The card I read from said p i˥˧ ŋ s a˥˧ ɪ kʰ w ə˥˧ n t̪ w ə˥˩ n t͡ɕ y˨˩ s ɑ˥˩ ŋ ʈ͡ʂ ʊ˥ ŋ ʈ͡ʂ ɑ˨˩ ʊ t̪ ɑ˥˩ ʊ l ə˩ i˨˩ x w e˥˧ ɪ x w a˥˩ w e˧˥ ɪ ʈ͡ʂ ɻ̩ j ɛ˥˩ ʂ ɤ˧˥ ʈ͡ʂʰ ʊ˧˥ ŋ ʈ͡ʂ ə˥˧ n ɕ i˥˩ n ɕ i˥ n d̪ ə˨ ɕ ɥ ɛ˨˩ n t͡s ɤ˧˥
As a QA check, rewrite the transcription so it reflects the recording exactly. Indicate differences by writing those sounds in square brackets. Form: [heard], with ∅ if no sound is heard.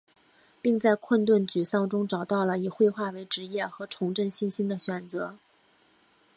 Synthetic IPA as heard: p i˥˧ ŋ [t͡s] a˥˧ ɪ kʰ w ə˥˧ n t̪ w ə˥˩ n t͡ɕ y˨˩ s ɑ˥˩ ŋ ʈ͡ʂ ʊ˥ ŋ ʈ͡ʂ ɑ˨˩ ʊ t̪ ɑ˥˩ ʊ l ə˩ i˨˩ x w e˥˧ ɪ x w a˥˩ w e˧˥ ɪ ʈ͡ʂ ɻ̩ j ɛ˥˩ [x] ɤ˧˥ ʈ͡ʂʰ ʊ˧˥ ŋ ʈ͡ʂ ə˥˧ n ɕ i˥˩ n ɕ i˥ n d̪ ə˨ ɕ ɥ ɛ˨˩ n t͡s ɤ˧˥